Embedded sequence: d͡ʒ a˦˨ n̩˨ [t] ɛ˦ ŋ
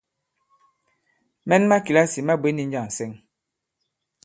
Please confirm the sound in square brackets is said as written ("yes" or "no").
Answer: no